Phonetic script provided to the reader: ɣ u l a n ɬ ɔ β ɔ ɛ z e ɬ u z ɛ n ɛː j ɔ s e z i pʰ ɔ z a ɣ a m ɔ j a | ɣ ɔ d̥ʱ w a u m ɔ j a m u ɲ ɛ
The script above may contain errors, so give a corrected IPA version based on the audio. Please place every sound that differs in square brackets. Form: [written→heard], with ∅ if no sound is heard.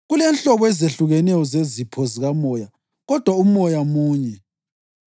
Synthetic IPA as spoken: ɣ u l [a→ɛ] n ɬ ɔ β ɔ ɛ z e ɬ u [z→ɣ] ɛ n [ɛː→ɛ] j ɔ [s→z] e z i pʰ ɔ z [a→i] ɣ a m ɔ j a | ɣ ɔ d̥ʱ w a u m ɔ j a m [u→uː] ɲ ɛ